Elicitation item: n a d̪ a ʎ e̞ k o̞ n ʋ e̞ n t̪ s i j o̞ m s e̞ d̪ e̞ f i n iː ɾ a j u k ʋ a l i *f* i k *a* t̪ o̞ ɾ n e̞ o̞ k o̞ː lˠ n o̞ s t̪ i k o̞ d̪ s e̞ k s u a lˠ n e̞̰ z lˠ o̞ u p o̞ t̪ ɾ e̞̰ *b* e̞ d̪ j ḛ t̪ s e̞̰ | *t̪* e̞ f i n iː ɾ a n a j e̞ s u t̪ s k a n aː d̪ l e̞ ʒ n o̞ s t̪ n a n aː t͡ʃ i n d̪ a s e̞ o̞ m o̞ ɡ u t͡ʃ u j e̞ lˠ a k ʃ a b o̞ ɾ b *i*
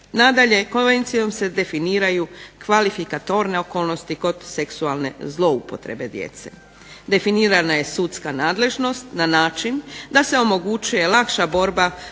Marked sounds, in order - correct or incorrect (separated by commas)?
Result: correct, correct, correct, incorrect, incorrect